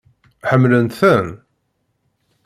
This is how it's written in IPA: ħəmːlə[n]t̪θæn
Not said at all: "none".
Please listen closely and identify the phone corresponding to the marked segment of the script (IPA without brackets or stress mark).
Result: n